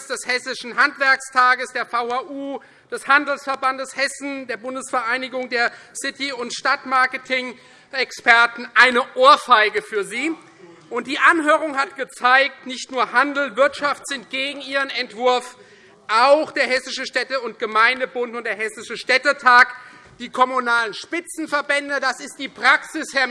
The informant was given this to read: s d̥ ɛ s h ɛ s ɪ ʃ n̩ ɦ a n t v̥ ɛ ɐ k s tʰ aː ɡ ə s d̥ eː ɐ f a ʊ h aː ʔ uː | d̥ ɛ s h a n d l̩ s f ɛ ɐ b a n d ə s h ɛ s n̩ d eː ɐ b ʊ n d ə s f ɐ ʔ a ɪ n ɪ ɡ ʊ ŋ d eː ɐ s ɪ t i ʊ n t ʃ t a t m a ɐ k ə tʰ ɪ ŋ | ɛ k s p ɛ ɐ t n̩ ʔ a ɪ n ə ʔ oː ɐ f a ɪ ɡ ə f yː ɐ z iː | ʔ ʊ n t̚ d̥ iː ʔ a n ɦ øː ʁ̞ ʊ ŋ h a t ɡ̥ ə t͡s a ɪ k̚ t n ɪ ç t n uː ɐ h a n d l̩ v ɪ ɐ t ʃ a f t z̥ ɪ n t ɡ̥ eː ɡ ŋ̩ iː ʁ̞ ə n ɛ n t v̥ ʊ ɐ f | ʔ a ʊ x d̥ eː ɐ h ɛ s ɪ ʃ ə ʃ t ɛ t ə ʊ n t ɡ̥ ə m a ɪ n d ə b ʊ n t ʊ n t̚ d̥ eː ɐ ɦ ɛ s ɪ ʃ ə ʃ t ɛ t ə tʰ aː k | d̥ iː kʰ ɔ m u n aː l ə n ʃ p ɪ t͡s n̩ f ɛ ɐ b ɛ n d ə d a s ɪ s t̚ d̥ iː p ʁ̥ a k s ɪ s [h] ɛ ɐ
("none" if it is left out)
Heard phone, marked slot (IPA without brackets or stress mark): h